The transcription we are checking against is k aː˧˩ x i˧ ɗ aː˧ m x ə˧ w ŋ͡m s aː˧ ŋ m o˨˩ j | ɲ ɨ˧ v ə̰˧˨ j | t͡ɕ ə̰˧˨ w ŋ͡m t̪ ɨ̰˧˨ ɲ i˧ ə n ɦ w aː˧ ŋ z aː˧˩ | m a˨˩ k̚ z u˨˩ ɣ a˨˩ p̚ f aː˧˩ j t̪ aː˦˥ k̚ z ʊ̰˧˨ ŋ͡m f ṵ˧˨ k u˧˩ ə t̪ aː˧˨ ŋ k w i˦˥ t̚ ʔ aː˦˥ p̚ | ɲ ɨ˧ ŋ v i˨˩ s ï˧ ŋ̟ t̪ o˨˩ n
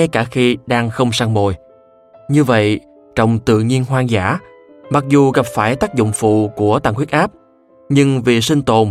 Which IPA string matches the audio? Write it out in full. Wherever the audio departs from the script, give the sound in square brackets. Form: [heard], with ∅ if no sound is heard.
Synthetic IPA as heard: k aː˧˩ x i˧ ɗ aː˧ [ŋ] x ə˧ w ŋ͡m s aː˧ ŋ m o˨˩ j | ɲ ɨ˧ v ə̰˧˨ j | t͡ɕ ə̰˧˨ w ŋ͡m t̪ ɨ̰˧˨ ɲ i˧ ə n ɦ w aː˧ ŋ z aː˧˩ | m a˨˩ k̚ z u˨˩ ɣ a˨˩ p̚ f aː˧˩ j t̪ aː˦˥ k̚ z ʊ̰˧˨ ŋ͡m f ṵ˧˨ k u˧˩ ə t̪ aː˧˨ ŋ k w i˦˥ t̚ ʔ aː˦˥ p̚ | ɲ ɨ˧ ŋ v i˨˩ s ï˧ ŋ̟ t̪ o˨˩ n